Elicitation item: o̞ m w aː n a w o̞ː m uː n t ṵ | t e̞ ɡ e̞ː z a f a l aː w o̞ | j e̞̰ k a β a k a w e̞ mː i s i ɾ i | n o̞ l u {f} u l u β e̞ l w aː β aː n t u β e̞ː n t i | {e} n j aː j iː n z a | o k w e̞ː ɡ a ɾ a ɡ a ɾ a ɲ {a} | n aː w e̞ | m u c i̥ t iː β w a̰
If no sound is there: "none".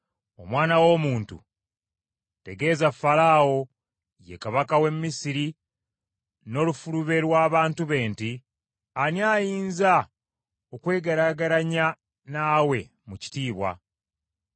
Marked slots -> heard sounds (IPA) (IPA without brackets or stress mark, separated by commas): f, a, a